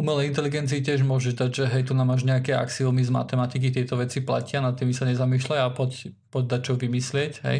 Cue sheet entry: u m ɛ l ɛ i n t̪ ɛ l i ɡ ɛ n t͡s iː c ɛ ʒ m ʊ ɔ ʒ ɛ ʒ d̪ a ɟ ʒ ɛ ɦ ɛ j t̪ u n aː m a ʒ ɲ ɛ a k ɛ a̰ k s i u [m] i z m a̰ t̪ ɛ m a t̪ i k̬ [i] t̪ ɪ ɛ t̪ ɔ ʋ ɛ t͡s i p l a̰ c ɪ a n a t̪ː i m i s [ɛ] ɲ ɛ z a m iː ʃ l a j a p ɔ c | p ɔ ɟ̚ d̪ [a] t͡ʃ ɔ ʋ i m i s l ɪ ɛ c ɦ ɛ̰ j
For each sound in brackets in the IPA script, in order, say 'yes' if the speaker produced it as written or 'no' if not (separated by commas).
yes, yes, no, yes